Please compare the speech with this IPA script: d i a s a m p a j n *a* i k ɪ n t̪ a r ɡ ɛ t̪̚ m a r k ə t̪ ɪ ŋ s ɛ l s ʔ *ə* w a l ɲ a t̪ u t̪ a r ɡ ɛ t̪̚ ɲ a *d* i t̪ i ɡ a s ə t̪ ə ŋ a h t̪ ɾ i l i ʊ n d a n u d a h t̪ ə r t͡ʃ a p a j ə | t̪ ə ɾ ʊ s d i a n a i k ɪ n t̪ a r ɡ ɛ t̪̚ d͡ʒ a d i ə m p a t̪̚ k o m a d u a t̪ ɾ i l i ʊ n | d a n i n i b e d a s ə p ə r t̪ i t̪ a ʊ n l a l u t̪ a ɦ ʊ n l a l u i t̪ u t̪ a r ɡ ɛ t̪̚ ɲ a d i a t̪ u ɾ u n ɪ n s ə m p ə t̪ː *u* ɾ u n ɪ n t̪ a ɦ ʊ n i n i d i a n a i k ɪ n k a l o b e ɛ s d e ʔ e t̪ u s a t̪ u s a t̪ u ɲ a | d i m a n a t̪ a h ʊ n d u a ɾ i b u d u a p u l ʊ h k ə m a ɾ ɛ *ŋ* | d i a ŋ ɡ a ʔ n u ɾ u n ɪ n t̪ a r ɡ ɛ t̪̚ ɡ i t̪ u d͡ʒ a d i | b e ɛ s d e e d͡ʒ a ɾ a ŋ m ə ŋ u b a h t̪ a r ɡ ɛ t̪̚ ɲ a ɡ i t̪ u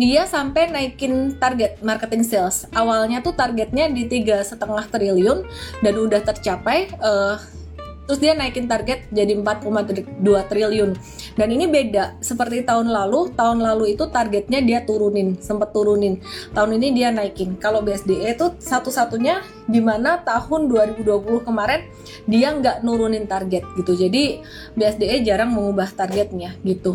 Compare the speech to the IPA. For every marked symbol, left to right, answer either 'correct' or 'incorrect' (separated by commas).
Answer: correct, incorrect, correct, correct, incorrect